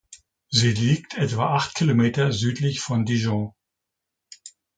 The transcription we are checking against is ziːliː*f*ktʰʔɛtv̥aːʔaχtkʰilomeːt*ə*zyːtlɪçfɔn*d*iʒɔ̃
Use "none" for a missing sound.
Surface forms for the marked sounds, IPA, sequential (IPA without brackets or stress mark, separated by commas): none, ɐ, d